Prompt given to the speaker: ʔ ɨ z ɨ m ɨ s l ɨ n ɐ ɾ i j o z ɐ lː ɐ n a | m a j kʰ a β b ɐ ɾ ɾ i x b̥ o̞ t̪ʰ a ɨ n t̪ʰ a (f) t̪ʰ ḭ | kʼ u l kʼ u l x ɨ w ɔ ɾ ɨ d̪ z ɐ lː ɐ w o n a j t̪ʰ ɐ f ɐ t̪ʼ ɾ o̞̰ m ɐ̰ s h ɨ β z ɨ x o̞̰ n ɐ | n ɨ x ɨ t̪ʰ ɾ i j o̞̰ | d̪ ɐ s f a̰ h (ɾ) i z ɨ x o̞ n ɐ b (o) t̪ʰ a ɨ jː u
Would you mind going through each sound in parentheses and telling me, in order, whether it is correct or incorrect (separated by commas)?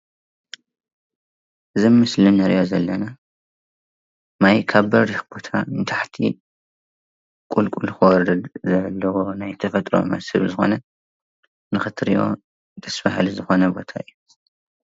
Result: incorrect, incorrect, correct